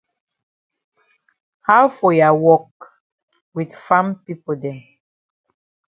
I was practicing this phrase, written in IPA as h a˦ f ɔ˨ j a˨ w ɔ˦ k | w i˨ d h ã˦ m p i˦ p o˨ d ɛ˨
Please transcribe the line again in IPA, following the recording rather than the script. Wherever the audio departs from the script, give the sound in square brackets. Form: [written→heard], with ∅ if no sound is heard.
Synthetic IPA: h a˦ f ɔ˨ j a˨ w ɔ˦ k | w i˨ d [h→f] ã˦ m p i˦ p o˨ d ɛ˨